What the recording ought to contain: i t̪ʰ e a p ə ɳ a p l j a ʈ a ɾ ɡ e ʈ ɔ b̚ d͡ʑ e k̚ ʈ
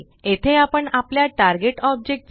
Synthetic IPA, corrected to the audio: e t̪ʰ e a p ə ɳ a p l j a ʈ a ɾ ɡ e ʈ ɔ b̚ d͡ʑ e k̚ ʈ